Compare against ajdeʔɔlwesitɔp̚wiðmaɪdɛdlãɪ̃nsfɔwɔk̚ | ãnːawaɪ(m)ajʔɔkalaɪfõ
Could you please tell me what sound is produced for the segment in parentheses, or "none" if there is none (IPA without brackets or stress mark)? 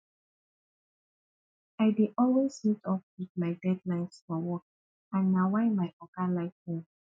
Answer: m